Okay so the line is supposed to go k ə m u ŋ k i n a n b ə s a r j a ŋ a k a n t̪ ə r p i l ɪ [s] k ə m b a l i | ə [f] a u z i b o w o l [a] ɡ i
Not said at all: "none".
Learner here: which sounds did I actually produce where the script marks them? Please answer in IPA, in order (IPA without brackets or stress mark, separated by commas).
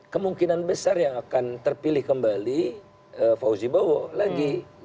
h, f, a